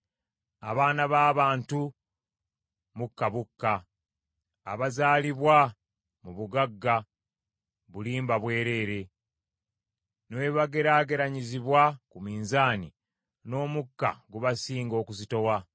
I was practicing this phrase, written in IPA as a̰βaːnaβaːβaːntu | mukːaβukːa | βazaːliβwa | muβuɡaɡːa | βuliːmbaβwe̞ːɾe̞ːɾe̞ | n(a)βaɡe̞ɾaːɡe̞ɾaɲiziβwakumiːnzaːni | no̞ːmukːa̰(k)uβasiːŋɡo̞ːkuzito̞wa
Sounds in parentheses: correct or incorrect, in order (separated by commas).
incorrect, incorrect